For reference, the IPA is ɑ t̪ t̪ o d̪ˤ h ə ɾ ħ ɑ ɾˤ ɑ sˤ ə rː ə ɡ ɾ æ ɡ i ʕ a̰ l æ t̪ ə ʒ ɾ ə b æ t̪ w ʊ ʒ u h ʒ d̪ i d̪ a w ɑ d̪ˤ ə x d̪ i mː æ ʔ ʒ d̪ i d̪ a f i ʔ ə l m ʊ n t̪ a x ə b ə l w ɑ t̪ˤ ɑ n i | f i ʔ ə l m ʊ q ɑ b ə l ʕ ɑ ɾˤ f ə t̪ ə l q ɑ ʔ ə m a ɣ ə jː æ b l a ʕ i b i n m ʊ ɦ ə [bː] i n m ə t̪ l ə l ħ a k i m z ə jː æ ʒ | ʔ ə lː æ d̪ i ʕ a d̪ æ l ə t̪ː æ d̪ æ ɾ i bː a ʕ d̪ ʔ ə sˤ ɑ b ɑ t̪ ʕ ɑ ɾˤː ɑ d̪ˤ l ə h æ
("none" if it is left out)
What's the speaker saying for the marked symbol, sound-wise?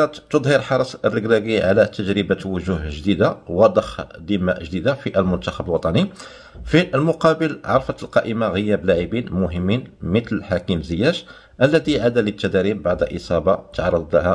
mː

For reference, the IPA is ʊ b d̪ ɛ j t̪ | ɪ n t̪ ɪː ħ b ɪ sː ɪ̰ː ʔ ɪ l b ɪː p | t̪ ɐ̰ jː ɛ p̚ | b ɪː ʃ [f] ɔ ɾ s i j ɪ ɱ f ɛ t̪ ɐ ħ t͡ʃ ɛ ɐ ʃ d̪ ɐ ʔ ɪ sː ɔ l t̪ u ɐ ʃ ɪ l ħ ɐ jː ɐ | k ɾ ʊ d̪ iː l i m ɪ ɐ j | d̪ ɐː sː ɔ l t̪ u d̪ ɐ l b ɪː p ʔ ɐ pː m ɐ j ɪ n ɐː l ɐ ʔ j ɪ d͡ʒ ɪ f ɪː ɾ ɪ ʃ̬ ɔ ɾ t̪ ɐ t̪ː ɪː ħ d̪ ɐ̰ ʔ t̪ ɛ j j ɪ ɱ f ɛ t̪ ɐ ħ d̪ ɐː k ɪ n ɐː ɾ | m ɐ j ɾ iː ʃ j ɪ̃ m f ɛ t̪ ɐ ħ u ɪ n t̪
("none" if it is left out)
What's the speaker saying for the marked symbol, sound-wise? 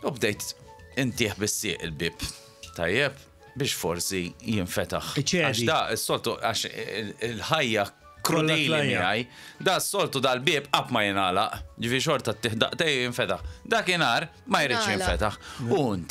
f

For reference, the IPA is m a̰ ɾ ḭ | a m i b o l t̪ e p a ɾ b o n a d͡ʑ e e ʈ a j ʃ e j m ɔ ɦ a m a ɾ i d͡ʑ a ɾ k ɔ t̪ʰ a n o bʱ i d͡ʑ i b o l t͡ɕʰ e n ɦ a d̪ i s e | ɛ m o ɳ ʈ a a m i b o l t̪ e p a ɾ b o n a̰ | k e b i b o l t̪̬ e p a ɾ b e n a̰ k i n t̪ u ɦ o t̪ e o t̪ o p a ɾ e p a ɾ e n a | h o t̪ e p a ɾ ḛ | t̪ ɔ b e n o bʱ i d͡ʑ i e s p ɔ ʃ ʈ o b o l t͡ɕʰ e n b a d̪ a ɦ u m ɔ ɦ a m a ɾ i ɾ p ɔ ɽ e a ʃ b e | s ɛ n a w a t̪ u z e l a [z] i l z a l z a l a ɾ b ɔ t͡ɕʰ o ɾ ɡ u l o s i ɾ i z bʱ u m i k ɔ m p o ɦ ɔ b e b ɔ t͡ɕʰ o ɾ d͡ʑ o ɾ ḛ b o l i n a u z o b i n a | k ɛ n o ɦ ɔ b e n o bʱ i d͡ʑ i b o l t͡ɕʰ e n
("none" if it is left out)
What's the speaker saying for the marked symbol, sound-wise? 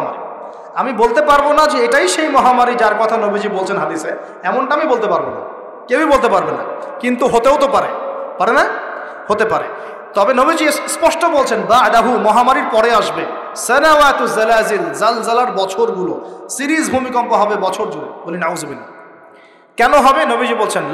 z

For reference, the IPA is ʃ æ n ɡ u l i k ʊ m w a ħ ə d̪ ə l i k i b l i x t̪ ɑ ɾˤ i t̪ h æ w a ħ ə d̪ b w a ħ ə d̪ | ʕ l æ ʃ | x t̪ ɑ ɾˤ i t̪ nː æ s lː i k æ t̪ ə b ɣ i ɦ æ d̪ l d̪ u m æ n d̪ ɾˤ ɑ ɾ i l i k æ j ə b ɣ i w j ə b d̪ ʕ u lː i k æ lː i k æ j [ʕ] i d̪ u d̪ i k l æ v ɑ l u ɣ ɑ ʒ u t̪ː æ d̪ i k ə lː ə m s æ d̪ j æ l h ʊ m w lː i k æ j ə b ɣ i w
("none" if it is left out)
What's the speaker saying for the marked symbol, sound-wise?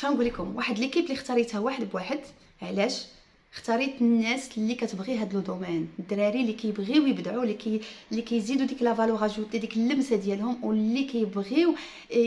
z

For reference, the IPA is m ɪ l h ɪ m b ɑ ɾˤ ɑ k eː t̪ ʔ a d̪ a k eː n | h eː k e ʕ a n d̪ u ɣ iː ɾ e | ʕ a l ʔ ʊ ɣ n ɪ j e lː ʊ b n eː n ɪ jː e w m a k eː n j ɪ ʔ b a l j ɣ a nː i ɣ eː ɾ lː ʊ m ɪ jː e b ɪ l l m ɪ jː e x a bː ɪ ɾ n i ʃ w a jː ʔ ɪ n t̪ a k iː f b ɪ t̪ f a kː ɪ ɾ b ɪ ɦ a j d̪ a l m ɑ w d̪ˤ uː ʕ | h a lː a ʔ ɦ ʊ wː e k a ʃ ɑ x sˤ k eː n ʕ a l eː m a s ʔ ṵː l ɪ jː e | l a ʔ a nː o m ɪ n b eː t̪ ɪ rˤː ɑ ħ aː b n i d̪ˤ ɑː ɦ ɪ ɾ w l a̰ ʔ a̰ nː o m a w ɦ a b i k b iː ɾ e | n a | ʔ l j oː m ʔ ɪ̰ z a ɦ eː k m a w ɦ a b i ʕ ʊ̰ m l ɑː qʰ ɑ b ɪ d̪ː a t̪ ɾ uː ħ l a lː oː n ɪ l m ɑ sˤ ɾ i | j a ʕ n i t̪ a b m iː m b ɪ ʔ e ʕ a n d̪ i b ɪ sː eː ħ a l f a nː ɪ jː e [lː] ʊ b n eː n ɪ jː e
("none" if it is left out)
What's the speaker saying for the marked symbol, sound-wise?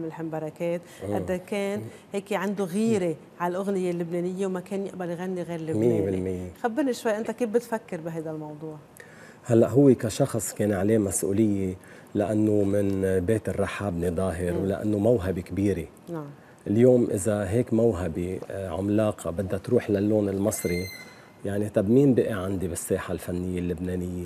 lː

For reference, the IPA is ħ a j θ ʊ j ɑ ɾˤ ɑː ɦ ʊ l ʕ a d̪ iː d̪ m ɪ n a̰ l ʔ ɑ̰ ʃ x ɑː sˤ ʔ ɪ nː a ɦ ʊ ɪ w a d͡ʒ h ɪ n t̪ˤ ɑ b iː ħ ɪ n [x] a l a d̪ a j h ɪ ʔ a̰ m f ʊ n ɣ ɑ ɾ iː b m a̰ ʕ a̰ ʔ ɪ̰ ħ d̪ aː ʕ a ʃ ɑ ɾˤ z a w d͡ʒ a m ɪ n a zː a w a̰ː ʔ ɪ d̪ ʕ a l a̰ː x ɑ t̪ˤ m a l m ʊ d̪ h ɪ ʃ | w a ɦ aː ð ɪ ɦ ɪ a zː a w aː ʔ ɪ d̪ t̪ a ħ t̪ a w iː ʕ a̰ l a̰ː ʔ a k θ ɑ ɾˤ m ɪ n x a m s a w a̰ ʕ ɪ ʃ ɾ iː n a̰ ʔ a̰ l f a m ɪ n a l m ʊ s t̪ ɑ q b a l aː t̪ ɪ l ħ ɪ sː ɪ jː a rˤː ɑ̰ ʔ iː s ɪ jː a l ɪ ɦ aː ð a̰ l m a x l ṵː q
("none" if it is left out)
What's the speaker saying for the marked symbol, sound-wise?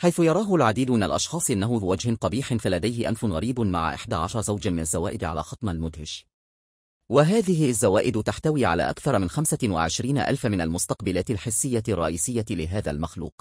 f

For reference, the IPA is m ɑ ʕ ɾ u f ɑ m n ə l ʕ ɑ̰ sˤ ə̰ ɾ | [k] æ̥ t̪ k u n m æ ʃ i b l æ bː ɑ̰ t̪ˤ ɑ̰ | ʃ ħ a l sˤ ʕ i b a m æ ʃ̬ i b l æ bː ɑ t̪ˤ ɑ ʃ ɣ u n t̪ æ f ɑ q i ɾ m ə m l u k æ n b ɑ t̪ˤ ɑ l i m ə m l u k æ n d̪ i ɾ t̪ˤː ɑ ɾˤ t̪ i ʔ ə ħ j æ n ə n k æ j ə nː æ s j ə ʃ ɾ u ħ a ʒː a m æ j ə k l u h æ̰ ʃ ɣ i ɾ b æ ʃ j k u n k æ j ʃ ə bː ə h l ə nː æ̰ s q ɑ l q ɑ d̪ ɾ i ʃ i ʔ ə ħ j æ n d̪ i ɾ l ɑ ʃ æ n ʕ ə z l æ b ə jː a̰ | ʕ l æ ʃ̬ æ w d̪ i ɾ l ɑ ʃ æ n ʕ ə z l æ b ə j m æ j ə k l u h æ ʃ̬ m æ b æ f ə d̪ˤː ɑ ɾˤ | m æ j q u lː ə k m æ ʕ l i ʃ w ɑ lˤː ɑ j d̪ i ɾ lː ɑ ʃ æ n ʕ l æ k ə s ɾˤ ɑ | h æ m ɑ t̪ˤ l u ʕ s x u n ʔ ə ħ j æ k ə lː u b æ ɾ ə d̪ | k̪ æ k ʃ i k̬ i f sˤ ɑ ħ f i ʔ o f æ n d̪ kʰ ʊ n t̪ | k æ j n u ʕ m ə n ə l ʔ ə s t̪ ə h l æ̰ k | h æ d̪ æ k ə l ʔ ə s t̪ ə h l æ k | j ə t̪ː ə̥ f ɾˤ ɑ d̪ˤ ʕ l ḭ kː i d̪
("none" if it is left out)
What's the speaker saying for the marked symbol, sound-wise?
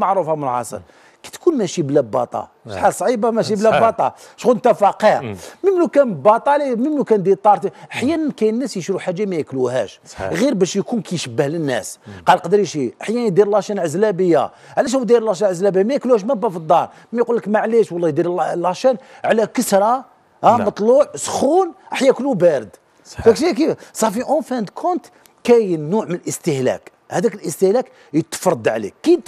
k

